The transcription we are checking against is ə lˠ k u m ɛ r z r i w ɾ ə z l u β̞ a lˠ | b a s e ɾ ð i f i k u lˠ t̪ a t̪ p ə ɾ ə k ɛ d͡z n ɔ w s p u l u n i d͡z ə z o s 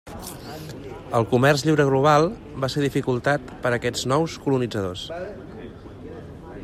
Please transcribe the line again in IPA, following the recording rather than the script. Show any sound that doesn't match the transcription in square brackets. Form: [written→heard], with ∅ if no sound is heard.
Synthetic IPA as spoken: ə lˠ k u m ɛ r z [r→ʎ] i w ɾ ə [z→ɣ] l u β̞ a lˠ | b a s e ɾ ð i f i k u lˠ t̪ a t̪ p ə ɾ ə k ɛ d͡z n ɔ w s [p→k] u l u n i d͡z ə [z→ð] o s